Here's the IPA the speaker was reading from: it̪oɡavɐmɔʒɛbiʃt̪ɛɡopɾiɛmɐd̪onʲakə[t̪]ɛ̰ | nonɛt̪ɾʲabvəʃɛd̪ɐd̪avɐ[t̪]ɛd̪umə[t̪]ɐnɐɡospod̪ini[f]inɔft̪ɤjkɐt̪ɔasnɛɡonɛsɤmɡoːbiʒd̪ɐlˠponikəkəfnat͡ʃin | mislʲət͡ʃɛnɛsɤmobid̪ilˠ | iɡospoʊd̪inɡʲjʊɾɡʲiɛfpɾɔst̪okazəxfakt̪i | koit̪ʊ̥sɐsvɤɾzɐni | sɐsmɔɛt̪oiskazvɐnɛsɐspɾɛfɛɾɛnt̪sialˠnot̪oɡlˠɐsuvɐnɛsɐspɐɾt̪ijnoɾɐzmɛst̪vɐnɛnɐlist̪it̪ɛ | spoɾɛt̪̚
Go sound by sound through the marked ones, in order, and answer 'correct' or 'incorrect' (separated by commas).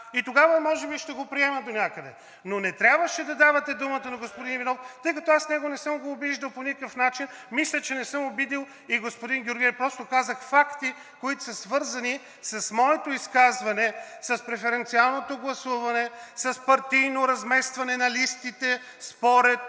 incorrect, correct, correct, incorrect